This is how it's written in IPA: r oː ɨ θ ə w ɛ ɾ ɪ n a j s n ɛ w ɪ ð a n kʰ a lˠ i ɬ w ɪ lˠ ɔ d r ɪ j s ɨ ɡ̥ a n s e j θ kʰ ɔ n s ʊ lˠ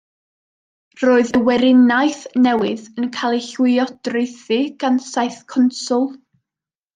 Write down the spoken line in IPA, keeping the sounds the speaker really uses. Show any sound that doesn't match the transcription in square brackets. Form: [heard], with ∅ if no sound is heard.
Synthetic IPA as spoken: r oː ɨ [ð] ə w ɛ ɾ ɪ n a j [θ] n ɛ w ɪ ð [ə] n kʰ a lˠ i ɬ w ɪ [∅] ɔ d r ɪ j [θ] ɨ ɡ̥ a n s [a] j θ kʰ ɔ n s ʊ lˠ